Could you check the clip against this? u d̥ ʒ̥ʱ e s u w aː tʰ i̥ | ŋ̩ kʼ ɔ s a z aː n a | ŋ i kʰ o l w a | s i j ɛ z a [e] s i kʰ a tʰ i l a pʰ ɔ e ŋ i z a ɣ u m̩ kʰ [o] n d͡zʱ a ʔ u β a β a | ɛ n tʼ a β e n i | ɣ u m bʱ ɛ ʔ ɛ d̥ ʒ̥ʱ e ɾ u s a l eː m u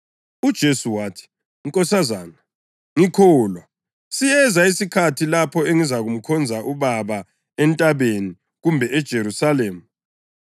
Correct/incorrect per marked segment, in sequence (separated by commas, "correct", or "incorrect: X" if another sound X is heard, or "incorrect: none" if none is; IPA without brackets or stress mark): incorrect: i, incorrect: ɔ